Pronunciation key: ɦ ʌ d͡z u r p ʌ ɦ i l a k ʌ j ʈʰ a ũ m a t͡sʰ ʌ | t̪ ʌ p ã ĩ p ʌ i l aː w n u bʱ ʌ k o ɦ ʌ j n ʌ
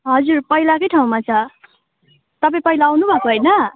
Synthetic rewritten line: ɦ ʌ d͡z u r p ʌ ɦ i l a k ʌ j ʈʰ a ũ m a t͡sʰ ʌ | t̪ ʌ p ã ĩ p ʌ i l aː w n u bʱ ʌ k o ɦ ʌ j n ʌ